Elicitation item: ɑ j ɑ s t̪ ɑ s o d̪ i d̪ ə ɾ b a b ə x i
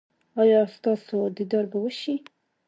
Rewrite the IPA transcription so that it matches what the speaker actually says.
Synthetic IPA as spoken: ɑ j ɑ s t̪ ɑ s o d̪ i d̪ ɑ ɾ b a w ə ʃ i